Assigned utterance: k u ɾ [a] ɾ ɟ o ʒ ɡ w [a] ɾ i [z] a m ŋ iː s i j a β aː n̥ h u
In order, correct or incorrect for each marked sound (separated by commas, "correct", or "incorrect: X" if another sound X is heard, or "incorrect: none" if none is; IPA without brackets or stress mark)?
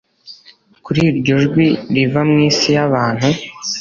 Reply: incorrect: i, incorrect: i, incorrect: v